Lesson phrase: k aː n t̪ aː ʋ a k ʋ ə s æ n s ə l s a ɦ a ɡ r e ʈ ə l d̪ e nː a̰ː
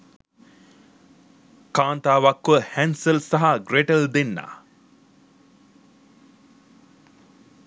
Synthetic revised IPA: k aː n t̪ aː ʋ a k ʋ ə h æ n s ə l s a ɦ a ɡ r e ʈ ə l d̪ e nː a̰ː